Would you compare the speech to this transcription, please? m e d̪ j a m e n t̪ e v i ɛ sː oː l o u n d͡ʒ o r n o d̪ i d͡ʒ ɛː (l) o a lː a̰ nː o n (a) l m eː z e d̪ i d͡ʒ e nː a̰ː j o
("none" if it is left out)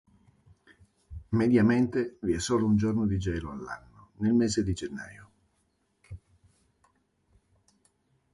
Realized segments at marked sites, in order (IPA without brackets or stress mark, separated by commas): l, e